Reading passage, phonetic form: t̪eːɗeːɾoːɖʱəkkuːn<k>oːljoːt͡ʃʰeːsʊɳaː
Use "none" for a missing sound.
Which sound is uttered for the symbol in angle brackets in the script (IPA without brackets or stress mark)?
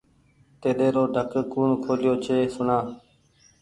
kʰ